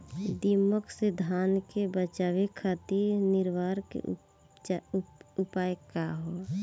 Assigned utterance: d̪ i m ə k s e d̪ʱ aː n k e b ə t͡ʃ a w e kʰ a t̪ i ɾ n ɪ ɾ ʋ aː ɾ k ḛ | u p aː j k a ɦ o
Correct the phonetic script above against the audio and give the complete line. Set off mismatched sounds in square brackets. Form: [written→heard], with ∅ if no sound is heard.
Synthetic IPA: d̪ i m ə k s e d̪ʱ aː n k e b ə t͡ʃ a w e kʰ a t̪ i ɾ n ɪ ɾ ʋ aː ɾ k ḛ | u p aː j k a ɦ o